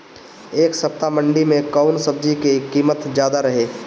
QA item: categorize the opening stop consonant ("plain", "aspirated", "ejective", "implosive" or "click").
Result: plain